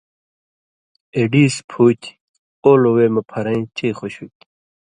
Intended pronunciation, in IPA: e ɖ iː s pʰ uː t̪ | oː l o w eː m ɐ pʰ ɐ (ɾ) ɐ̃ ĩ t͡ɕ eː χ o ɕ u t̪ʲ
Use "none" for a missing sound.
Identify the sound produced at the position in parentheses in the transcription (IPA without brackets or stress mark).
ɾ